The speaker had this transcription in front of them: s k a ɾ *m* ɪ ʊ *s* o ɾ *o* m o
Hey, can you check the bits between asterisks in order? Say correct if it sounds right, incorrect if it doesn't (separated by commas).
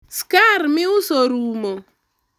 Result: correct, correct, incorrect